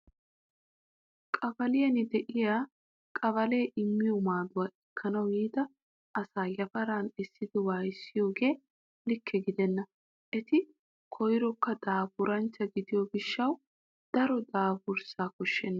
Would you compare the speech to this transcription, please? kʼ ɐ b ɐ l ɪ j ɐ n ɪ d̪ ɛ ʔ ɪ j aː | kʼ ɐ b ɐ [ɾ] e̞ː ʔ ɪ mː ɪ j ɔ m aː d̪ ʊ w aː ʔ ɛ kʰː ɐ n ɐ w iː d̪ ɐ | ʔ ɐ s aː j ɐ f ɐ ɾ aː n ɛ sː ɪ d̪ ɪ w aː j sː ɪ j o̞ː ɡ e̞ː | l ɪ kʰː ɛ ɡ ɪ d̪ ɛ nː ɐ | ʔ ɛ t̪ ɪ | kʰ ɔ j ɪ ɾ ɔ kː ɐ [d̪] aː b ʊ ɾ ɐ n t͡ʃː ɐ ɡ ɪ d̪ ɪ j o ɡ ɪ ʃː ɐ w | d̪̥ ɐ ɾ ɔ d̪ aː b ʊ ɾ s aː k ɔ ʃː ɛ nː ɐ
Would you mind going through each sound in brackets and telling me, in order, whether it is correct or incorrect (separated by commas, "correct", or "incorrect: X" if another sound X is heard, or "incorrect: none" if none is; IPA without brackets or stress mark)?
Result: incorrect: l, correct